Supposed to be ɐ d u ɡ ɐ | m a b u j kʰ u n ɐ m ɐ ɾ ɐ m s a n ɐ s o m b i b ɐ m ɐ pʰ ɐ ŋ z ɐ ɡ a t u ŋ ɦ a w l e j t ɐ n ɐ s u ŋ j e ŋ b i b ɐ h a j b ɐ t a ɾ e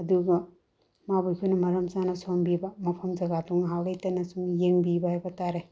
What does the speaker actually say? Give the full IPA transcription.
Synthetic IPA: ɐ d u ɡ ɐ | m a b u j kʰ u n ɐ m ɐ ɾ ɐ m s a n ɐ s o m b i b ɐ m ɐ pʰ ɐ m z ɐ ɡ a t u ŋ ɦ a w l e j t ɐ n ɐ s u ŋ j e ŋ b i b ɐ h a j b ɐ t a ɾ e